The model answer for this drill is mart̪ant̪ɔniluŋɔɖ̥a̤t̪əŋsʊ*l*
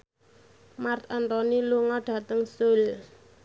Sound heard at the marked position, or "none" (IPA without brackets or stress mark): l